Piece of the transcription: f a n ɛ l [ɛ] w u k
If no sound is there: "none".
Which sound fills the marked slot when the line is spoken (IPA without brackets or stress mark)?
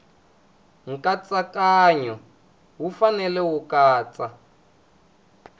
ɛ